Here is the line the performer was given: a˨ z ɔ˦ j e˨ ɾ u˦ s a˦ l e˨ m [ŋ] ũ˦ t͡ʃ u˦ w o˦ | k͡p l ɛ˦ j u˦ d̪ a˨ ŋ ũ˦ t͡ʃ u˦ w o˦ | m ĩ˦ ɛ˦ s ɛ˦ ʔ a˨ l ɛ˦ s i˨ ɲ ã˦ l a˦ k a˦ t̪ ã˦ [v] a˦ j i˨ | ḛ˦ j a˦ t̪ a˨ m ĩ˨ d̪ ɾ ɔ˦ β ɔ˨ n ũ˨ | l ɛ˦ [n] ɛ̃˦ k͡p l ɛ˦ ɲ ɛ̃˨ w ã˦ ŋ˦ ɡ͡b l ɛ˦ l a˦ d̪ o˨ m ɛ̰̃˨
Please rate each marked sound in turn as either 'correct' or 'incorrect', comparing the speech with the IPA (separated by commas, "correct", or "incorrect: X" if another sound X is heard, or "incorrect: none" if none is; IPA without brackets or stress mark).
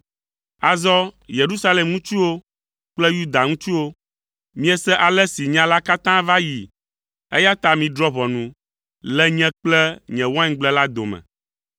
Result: correct, correct, incorrect: ɲ